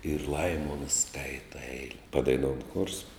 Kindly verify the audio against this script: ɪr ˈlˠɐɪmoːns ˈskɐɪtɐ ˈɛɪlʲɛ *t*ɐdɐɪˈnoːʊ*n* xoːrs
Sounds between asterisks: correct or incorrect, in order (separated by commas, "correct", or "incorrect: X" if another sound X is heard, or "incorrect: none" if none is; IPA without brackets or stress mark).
incorrect: p, correct